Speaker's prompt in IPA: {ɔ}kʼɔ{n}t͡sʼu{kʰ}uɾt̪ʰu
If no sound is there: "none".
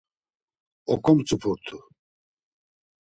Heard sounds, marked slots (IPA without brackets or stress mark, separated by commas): ɔ, m, pʰ